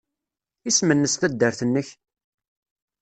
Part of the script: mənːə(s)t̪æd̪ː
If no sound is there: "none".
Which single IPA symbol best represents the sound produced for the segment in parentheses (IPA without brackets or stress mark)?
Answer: s